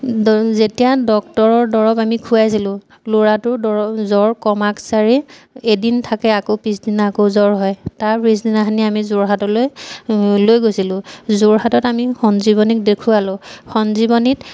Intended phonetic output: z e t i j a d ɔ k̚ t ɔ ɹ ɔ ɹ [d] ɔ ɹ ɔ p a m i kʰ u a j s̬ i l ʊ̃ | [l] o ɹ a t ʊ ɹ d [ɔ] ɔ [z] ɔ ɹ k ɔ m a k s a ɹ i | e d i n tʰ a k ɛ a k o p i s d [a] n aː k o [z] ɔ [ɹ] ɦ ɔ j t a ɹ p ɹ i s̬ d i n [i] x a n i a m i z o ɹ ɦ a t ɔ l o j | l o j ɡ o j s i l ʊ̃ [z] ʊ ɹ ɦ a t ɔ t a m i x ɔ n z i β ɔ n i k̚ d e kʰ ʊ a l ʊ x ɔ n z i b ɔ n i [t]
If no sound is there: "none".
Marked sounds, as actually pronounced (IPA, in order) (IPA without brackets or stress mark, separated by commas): d, l, ɔ, z, i, z, ɹ, a, z, t